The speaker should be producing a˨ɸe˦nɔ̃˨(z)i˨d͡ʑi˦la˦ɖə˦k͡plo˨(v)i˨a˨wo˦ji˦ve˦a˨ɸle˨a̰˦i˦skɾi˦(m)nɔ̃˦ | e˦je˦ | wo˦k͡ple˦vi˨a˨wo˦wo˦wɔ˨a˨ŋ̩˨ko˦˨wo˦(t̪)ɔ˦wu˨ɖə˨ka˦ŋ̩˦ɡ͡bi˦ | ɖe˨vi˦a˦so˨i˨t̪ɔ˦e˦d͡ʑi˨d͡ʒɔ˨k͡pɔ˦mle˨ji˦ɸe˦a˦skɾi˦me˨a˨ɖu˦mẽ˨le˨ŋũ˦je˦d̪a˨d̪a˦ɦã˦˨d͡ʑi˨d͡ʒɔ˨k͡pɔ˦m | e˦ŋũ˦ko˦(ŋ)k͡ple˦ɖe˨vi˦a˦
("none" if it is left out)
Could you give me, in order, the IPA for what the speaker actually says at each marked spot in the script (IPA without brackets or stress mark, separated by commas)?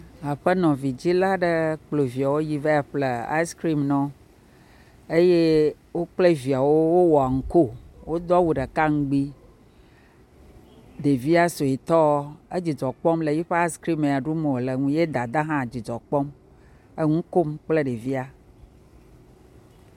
v, v, m, d̪, m